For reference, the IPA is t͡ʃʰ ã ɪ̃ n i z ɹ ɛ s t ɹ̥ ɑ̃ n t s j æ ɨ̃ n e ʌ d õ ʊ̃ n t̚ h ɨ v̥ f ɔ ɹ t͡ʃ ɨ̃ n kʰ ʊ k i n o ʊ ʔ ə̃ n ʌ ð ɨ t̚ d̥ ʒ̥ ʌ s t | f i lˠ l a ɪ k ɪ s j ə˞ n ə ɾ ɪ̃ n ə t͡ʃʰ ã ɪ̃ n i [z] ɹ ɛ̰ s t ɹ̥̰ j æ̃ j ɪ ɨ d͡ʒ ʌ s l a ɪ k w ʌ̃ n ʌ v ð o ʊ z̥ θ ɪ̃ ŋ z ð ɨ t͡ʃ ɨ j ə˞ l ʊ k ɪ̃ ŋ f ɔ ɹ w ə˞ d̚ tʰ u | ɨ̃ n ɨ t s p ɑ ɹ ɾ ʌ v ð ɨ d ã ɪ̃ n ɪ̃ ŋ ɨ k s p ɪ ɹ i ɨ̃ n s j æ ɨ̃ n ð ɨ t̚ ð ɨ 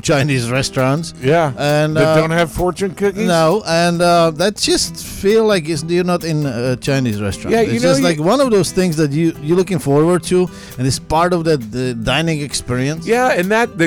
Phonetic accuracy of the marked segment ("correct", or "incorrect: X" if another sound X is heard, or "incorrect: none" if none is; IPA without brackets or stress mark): correct